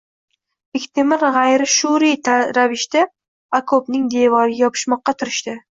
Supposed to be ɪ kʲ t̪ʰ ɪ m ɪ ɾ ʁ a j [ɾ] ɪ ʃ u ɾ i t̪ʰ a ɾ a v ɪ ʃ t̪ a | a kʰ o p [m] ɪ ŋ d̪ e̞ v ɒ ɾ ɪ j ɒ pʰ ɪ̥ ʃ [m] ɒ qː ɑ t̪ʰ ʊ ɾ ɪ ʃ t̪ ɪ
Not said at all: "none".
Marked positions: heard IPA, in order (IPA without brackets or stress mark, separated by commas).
ɾ, n, m